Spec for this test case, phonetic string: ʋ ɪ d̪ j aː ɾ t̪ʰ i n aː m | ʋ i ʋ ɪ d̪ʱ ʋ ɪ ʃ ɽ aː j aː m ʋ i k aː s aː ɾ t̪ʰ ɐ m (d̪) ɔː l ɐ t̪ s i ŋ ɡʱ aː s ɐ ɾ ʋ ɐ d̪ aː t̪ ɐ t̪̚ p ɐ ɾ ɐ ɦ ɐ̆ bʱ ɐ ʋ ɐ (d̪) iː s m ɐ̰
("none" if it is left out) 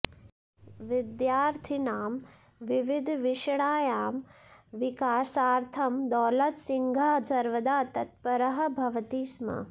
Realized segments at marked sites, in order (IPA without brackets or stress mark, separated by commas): d̪, t̪